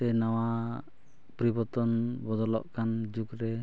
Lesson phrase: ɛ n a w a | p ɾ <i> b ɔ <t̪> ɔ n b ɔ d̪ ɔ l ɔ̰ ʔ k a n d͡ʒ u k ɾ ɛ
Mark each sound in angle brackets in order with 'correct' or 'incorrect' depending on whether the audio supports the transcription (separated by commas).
correct, correct